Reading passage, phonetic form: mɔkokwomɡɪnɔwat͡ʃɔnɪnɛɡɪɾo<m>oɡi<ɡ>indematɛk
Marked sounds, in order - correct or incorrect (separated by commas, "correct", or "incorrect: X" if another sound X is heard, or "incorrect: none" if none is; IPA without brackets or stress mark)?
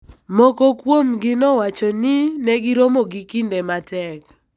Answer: correct, incorrect: k